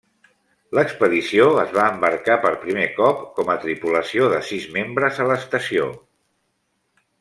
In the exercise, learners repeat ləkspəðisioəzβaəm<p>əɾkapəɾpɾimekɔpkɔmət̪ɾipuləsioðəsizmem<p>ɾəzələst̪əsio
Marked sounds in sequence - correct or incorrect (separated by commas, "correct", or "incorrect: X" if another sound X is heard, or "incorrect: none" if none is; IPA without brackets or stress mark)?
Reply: incorrect: b, incorrect: b